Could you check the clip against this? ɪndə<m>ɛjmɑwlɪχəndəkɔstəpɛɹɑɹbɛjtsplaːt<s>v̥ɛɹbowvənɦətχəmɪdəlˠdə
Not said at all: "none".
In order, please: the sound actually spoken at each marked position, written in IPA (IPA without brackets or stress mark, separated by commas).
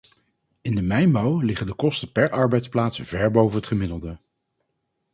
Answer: m, s